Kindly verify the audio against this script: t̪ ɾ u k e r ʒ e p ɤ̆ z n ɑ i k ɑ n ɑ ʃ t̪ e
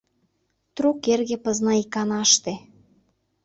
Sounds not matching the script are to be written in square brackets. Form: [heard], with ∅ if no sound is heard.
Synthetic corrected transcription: t̪ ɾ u k e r [ɣ] e p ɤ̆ z n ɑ i k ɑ n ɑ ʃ t̪ e